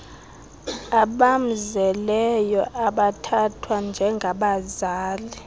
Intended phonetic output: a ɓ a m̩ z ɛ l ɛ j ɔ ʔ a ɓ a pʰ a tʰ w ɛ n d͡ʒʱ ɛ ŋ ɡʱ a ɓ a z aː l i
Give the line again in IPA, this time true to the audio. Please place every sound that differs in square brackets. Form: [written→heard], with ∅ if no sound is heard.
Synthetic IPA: a ɓ a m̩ z ɛ l ɛ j ɔ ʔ a ɓ a [pʰ→tʰ] a tʰ w [ɛ→a] n d͡ʒʱ ɛ ŋ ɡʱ a ɓ a z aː l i